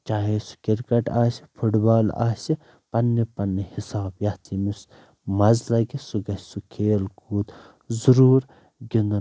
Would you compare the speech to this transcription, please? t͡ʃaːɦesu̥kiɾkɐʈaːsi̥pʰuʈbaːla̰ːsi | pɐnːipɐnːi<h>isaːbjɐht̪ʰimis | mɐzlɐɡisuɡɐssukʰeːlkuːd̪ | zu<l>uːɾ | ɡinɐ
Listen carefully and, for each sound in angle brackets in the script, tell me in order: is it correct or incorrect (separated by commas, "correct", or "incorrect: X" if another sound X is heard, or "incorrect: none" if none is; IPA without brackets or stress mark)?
correct, incorrect: ɾ